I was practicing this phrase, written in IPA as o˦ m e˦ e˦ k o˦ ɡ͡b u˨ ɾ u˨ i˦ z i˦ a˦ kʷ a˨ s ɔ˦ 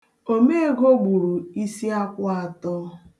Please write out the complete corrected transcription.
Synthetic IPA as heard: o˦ m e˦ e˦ ɡ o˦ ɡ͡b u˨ ɾ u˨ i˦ s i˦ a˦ kʷ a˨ t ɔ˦